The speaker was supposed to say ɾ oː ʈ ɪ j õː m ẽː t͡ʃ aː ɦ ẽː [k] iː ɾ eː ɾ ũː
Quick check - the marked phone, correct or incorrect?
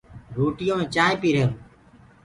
incorrect: p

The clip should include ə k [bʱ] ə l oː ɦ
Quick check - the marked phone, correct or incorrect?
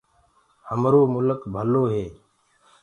correct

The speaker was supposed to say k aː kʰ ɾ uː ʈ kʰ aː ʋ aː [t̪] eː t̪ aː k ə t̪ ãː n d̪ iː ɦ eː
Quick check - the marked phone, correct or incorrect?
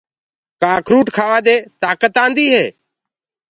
incorrect: d̪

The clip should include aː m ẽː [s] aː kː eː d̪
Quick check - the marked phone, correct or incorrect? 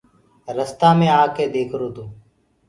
incorrect: none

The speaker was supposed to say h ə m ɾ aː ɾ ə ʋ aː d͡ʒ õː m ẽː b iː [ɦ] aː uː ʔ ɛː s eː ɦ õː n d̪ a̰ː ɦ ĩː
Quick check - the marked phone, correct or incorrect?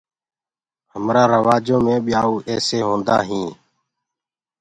incorrect: none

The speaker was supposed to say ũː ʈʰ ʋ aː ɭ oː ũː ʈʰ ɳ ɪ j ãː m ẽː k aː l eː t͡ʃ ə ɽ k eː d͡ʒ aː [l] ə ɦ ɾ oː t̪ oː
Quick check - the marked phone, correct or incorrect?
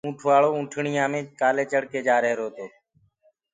incorrect: ɾ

